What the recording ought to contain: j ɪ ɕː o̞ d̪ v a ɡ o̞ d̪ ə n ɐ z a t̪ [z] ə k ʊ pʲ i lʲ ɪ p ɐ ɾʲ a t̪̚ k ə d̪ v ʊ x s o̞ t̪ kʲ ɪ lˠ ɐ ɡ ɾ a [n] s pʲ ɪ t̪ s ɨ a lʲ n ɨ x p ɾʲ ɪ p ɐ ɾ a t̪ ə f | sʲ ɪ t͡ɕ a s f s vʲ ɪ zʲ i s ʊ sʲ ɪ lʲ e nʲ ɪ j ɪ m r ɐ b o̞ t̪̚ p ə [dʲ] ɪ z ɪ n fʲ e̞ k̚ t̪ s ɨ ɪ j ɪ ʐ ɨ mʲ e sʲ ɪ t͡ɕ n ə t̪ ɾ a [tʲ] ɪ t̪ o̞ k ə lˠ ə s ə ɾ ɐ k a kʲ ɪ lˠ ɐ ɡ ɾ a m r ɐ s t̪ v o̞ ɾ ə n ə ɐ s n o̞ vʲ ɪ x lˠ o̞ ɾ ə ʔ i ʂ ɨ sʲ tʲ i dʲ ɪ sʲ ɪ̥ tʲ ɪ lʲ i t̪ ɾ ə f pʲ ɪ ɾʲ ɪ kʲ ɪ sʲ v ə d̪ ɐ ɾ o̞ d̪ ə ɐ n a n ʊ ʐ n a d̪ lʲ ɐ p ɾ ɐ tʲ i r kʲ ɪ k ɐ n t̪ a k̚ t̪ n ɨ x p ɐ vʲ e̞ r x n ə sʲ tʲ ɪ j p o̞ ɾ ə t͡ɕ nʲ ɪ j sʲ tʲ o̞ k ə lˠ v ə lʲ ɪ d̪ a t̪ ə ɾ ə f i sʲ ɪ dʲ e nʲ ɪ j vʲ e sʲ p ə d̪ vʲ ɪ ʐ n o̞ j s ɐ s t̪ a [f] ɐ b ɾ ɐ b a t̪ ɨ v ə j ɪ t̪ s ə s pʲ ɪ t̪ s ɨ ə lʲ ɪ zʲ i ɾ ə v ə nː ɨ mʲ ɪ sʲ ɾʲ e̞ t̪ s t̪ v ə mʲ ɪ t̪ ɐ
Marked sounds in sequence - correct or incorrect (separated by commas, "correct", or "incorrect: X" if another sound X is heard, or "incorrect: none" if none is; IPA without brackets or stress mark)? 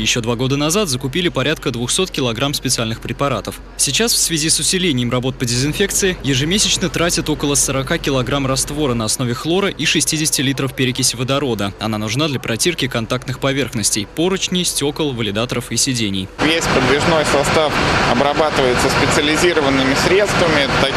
correct, incorrect: m, correct, correct, correct